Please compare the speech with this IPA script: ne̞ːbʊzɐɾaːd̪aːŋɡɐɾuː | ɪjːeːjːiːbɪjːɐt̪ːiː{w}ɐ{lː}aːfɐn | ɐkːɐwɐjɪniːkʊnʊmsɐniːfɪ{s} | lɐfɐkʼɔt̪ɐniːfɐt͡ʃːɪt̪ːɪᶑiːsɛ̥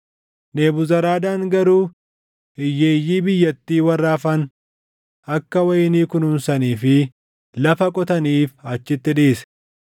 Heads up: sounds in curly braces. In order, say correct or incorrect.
correct, incorrect: rː, incorrect: none

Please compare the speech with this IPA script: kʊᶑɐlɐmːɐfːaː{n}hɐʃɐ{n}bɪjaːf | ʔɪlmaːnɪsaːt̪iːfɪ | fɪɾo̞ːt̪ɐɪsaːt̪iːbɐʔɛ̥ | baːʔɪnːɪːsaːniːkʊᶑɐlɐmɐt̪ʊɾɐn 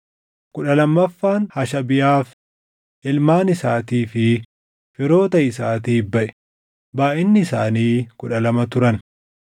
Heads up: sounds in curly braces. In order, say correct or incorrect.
correct, incorrect: none

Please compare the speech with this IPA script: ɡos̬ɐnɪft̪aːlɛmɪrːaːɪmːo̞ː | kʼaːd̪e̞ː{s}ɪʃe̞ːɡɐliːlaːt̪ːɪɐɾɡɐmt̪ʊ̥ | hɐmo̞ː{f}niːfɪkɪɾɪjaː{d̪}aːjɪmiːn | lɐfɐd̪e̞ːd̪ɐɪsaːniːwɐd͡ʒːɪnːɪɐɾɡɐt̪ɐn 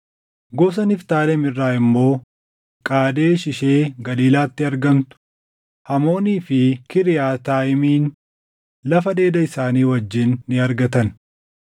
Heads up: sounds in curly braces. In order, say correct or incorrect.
incorrect: ʃ, incorrect: none, incorrect: t̪

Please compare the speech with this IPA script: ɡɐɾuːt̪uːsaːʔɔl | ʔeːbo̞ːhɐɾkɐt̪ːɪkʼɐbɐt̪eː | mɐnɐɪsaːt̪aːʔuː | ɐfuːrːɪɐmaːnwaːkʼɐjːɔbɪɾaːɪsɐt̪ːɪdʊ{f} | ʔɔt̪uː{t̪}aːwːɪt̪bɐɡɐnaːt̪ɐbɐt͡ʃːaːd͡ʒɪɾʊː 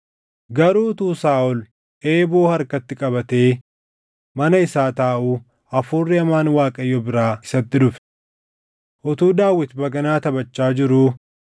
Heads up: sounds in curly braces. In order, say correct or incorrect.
correct, incorrect: d̪

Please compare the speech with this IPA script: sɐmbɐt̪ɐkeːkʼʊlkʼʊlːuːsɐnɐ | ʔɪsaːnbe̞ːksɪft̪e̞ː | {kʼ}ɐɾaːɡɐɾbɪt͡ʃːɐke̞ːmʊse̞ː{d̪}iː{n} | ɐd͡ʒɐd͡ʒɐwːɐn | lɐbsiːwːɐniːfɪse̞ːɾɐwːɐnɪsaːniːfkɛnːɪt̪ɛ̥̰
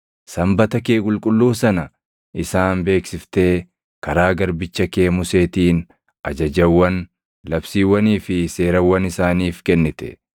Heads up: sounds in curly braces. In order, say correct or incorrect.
incorrect: k, incorrect: t̪, correct

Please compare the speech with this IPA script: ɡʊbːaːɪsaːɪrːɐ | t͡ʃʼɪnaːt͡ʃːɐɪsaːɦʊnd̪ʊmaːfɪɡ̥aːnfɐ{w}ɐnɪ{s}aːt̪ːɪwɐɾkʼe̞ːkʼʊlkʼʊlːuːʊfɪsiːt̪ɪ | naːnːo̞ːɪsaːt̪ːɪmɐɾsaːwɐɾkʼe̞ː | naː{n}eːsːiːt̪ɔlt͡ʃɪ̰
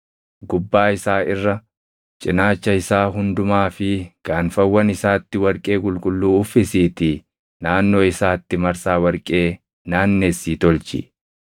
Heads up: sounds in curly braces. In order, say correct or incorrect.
incorrect: wː, correct, incorrect: nː

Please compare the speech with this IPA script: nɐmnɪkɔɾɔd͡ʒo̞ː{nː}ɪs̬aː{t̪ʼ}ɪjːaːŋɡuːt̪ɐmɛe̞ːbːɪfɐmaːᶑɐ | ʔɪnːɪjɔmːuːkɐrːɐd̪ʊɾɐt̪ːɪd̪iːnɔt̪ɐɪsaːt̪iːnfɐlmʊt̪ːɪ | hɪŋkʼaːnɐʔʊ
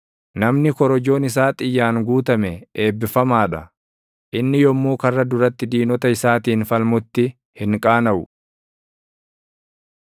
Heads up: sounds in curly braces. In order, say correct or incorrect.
incorrect: n, correct

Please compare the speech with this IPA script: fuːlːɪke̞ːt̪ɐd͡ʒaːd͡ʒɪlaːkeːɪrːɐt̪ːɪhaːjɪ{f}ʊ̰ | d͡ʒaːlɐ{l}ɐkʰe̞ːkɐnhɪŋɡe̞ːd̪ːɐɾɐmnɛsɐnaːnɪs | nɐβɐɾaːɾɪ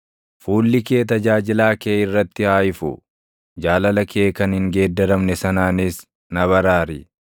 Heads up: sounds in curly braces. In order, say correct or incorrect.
correct, correct

